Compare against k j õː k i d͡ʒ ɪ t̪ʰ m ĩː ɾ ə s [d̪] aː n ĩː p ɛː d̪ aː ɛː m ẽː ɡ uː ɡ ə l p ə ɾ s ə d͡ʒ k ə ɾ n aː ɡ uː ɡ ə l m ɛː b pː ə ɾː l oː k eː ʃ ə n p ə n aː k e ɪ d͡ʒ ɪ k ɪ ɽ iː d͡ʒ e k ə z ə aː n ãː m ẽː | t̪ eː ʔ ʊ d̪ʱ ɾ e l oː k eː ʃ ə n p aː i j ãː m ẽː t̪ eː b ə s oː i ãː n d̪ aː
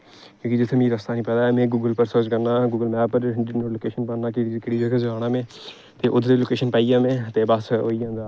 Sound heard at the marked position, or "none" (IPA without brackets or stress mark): t̪